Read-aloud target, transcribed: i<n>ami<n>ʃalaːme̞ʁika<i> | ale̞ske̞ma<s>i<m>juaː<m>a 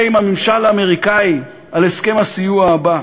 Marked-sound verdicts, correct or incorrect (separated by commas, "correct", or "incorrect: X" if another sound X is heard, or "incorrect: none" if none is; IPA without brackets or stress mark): incorrect: m, incorrect: m, correct, correct, incorrect: none, incorrect: b